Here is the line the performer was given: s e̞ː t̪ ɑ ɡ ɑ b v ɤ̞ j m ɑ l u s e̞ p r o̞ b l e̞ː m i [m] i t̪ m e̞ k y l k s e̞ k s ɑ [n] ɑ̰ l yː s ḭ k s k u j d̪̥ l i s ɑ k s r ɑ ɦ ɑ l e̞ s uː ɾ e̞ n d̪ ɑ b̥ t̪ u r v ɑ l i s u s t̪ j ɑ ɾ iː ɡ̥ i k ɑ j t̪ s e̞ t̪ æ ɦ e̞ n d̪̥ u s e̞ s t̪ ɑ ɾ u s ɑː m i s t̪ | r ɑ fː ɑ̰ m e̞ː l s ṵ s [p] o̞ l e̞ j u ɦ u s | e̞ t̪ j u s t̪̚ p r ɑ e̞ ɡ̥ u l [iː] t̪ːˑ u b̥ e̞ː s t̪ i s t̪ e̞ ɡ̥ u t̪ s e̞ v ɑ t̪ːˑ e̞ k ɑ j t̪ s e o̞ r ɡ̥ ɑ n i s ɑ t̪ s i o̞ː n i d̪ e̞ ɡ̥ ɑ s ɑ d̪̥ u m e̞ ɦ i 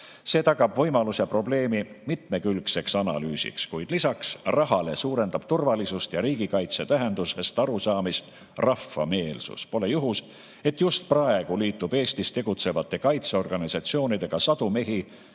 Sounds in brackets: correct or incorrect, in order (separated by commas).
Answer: correct, correct, correct, correct